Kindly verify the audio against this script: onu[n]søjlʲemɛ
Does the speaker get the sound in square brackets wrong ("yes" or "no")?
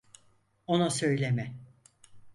yes